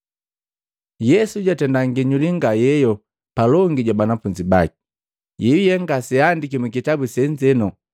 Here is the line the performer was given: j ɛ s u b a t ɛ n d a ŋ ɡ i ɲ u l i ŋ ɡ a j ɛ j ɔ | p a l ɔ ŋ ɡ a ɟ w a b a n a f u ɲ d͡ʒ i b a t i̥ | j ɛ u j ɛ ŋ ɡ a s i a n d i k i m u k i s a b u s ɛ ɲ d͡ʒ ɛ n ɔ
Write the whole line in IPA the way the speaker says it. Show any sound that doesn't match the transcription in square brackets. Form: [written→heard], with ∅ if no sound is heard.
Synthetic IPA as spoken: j ɛ s u [b→ɟ] a t ɛ n d a ŋ ɡ i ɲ u l i ŋ ɡ a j ɛ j ɔ | p a l ɔ ŋ ɡ [a→i] ɟ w a b a n a f u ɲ d͡ʒ i b a [t→k] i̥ | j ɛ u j ɛ ŋ ɡ a s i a n d i k i m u k i [s→t] a b u s ɛ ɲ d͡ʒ ɛ n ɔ